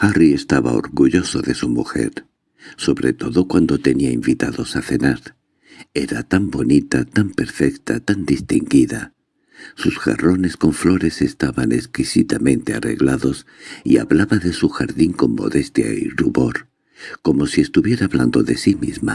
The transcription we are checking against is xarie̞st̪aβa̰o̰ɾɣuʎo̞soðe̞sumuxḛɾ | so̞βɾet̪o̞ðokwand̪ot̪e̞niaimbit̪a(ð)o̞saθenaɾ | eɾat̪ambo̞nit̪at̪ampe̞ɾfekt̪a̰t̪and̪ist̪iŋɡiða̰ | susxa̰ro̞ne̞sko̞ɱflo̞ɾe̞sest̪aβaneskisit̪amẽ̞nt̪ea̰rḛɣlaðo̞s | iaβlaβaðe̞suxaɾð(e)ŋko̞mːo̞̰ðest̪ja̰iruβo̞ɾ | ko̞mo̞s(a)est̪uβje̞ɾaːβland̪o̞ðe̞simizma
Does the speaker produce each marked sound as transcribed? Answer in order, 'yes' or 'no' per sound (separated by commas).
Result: yes, no, no